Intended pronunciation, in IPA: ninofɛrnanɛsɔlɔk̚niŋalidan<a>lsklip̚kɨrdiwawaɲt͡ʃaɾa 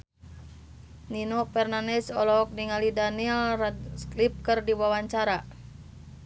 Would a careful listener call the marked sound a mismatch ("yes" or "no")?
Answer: yes